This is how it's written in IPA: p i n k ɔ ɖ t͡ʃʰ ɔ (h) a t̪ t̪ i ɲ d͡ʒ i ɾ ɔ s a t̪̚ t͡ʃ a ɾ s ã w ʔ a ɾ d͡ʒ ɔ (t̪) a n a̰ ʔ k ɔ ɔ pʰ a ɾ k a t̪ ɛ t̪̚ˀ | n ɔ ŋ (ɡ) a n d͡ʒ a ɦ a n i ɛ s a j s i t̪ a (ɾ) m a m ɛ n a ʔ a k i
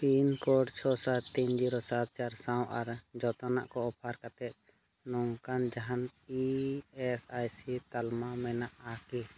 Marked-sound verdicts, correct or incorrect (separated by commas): incorrect, correct, incorrect, incorrect